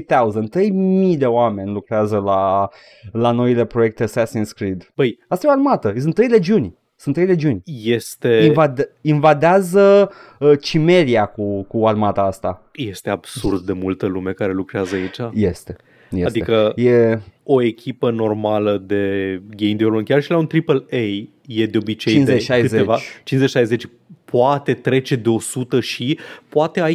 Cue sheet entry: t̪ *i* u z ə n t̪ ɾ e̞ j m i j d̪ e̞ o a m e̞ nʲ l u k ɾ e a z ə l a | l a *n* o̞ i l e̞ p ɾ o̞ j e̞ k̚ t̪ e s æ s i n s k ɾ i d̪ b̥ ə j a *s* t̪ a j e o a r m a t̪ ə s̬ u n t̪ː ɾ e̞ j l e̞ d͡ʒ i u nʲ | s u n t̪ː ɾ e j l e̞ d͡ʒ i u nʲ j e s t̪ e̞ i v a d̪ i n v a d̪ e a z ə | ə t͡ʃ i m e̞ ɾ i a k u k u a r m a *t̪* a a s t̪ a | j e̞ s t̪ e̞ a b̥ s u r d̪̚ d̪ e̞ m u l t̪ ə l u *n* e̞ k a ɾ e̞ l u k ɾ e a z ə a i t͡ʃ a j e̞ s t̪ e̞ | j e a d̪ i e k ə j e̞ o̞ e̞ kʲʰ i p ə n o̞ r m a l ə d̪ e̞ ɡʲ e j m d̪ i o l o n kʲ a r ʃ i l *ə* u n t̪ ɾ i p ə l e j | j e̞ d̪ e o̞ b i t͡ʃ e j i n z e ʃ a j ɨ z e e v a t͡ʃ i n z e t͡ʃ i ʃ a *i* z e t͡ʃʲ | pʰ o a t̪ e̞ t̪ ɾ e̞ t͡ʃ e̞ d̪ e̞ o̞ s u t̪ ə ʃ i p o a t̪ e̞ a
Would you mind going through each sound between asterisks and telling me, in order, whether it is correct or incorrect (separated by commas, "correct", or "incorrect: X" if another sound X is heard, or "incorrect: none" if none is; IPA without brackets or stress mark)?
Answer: incorrect: a, correct, correct, correct, incorrect: m, incorrect: a, incorrect: j